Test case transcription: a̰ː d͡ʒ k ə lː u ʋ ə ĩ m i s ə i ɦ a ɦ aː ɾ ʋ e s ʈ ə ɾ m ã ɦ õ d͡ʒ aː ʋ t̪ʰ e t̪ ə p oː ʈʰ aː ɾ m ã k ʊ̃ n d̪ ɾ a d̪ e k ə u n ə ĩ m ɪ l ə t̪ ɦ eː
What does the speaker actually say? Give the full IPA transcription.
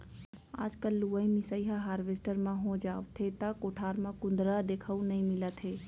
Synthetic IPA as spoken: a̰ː d͡ʒ k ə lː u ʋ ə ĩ m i s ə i ɦ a ɦ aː ɾ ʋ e s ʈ ə ɾ m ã ɦ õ d͡ʒ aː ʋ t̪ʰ e t̪ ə k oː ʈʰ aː ɾ m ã k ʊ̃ n d̪ ɾ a d̪ e kʰ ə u n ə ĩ m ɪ l ə t̪ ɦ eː